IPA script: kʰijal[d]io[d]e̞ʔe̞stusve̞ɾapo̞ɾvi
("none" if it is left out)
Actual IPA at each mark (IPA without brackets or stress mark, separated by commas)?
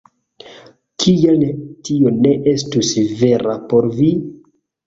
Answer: t, n